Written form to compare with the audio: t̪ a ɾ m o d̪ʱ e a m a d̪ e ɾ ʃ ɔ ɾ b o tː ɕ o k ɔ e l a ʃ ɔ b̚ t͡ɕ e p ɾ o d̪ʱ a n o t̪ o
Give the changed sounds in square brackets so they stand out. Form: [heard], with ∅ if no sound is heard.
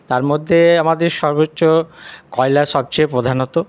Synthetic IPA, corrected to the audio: t̪ a ɾ m o [d̪ʱː] e a m a d̪ e ɾ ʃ ɔ ɾ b o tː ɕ o k ɔ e l a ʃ ɔ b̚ t͡ɕ e p ɾ o d̪ʱ a n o t̪ o